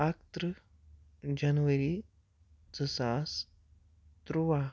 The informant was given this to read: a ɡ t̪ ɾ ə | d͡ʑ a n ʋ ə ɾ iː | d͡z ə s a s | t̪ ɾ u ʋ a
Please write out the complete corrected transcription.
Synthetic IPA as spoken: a k t̪ ɾ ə | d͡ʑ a n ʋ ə ɾ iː | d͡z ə s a s | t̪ ɾ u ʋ a